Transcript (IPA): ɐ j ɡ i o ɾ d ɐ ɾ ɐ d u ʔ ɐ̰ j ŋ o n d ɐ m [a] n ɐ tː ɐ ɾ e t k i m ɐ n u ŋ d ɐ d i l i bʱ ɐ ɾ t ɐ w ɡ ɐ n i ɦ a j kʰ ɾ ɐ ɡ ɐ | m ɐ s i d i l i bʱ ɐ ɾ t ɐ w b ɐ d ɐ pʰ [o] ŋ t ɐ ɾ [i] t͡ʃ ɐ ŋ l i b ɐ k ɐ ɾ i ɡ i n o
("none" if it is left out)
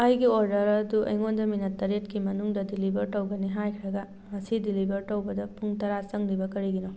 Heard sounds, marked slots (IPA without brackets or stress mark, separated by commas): i, u, a